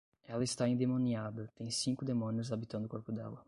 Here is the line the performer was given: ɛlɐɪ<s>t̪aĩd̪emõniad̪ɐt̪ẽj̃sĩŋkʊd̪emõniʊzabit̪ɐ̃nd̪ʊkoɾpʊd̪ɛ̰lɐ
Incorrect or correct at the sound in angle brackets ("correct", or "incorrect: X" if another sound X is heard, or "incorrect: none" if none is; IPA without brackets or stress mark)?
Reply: correct